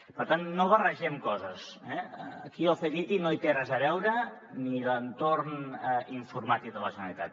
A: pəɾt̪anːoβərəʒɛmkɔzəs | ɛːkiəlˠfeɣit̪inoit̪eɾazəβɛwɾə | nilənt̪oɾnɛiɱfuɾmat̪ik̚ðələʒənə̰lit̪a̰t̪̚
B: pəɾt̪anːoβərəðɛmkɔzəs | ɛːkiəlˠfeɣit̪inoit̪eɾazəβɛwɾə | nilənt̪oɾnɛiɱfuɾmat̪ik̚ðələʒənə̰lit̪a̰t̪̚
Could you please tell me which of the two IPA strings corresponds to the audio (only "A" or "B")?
A